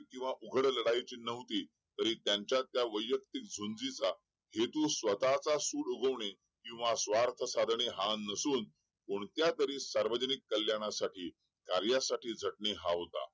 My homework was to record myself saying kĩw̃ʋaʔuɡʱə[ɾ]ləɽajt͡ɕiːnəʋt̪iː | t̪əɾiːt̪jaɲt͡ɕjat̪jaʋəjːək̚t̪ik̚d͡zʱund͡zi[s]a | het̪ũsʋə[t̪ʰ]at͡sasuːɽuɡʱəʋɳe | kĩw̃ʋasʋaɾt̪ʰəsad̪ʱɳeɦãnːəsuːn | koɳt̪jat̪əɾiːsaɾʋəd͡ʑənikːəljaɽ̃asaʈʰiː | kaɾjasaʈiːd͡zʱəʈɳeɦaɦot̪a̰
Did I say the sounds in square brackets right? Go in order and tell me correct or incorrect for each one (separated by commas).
incorrect, incorrect, incorrect